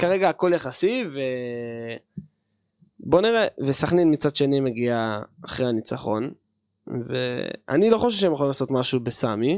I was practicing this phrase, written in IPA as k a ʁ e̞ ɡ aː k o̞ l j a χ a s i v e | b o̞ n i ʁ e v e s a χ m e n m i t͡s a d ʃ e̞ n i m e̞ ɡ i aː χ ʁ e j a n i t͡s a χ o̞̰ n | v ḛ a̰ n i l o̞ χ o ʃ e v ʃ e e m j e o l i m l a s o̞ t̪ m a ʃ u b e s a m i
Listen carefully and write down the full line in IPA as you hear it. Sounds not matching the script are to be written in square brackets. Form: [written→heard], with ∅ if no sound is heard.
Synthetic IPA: k a ʁ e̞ ɡ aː k o̞ l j a χ a s i v e | b o̞ n i ʁ e v e s a χ [m→n] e n m i t͡s a d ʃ e̞ n i m e̞ ɡ i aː χ ʁ e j a n i t͡s a χ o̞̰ n | v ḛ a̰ n i l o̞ χ o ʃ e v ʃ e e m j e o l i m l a s o̞ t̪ m a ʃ u b e s a m i